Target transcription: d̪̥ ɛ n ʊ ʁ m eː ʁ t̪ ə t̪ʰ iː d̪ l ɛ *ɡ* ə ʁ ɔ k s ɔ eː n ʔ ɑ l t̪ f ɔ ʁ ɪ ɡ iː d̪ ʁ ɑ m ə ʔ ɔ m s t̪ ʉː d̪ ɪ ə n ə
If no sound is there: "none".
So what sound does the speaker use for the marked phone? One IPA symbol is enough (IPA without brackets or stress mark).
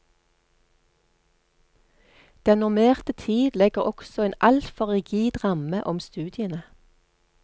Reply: ɡ